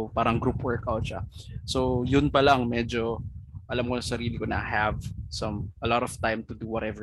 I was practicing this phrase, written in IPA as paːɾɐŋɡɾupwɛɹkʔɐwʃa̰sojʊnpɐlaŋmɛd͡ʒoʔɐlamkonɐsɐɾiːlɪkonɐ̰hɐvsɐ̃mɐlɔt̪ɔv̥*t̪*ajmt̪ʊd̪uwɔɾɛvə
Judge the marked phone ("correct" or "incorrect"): correct